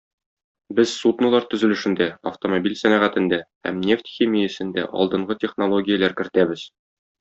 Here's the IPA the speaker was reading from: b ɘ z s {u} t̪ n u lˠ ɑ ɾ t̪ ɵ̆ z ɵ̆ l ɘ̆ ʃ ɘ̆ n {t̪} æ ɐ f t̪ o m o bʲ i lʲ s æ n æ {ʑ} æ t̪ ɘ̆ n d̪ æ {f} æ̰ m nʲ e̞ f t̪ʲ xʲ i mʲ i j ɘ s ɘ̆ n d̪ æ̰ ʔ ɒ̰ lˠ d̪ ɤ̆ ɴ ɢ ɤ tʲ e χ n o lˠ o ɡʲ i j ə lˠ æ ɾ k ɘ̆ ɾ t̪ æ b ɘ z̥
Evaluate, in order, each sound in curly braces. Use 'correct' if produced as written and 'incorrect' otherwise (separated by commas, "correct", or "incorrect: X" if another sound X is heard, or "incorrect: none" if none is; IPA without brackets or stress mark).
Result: correct, incorrect: d̪, incorrect: ʁ, incorrect: h